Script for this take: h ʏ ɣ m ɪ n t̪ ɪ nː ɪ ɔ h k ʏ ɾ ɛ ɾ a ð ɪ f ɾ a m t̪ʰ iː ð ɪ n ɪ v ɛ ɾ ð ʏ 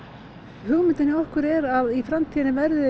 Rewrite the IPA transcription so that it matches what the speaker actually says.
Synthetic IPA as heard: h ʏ ɣ m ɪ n t̪ ɪ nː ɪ ɔ h k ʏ ɾ ɛ ɾ a ð i f ɾ a m t̪ʰ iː ð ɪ n ɪ v ɛ ɾ ð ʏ